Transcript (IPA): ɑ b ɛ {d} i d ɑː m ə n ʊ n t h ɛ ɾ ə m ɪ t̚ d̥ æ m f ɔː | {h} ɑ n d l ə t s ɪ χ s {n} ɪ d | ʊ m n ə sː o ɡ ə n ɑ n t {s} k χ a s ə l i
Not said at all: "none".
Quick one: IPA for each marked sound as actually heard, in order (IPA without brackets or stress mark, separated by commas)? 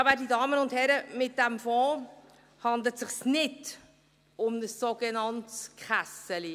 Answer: d, h, n, s